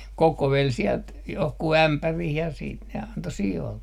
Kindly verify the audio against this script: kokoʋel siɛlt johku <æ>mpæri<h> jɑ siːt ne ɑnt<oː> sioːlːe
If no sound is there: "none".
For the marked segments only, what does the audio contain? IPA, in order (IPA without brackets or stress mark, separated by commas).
æ, h, o